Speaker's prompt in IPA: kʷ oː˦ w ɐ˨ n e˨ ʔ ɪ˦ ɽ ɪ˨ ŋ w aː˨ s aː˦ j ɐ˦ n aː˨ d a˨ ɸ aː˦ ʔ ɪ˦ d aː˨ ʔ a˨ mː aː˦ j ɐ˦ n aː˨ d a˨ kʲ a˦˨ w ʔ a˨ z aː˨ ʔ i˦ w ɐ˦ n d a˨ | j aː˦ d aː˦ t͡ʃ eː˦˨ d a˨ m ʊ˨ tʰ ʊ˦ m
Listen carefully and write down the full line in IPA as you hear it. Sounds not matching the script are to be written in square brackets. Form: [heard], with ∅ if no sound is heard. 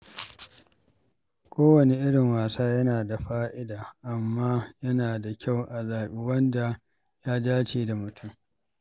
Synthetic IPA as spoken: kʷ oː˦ w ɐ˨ n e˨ ʔ ɪ˦ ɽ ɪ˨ ŋ w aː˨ s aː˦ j ɐ˦ n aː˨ d a˨ ɸ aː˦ ʔ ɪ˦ d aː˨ ʔ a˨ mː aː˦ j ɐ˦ n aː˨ d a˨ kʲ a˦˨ w ʔ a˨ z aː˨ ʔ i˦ w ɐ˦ n d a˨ | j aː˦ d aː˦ t͡ʃ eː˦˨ d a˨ m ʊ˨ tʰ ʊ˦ m

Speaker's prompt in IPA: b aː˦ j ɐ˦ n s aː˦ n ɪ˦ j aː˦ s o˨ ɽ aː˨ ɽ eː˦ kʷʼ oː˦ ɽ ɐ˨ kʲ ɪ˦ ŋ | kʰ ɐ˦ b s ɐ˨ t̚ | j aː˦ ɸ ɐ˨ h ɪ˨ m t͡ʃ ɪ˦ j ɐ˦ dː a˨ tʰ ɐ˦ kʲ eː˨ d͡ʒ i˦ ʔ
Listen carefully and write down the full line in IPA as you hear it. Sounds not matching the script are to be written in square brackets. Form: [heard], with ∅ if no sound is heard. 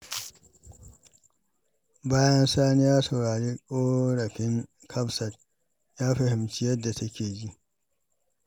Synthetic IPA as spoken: b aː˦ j ɐ˦ n s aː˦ n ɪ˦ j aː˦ s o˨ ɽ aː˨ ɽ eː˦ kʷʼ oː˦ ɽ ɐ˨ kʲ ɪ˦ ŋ | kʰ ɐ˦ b s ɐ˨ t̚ | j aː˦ ɸ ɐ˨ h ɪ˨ m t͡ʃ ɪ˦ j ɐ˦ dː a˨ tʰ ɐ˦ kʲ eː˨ d͡ʒ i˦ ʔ

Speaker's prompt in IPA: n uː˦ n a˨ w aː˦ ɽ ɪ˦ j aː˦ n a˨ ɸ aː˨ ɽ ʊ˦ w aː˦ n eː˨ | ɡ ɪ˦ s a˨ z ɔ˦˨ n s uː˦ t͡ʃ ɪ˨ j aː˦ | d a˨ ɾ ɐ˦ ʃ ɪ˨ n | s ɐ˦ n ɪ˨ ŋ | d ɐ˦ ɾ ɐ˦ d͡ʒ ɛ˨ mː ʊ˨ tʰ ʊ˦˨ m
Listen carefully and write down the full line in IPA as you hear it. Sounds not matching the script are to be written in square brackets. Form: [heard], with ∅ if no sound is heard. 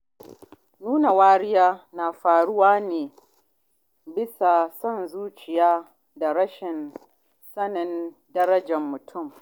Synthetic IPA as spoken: n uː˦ n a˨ w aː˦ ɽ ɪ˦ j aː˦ n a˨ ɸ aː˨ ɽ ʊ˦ w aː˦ n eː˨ | [b] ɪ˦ s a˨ [s] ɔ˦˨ n [z] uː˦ t͡ʃ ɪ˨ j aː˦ | d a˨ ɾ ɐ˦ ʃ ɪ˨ n | s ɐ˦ n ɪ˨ [n] | d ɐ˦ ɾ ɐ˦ d͡ʒ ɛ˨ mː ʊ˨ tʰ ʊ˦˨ m

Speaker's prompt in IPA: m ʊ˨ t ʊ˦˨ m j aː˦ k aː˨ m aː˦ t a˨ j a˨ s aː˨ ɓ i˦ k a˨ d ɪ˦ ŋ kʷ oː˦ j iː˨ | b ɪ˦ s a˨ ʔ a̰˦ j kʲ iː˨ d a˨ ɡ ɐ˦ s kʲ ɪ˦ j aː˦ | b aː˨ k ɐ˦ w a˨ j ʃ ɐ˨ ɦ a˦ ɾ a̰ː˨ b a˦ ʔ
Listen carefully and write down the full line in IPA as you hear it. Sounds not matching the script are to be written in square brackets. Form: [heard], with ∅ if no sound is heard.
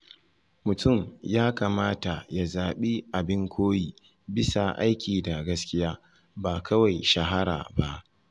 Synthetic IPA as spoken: m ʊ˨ t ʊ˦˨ m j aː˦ k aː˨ m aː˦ t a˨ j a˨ [z] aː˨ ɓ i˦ [ʔ] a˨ [b] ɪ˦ ŋ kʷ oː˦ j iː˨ | b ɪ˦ s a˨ ʔ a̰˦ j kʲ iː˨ d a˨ ɡ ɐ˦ s kʲ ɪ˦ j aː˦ | b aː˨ k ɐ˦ w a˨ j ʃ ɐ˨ ɦ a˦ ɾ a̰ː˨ b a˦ ʔ

